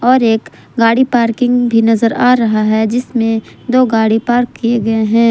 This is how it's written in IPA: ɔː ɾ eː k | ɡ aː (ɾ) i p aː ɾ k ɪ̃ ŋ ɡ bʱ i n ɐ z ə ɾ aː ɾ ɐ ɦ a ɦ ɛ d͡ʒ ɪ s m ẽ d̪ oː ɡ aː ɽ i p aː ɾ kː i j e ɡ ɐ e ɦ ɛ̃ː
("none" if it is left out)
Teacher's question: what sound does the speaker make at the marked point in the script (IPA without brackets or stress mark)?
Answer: ɽ